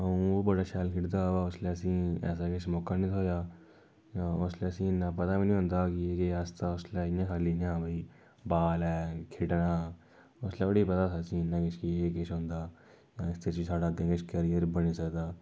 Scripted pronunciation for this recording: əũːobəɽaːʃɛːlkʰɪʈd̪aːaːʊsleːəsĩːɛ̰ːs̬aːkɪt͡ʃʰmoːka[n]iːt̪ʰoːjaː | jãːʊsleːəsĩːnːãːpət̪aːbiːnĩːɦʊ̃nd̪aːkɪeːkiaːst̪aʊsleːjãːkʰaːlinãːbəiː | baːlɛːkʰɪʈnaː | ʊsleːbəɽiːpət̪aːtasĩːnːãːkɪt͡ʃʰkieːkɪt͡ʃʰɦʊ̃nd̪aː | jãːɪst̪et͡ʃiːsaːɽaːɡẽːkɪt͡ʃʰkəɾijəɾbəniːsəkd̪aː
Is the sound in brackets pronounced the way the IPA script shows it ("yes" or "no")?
yes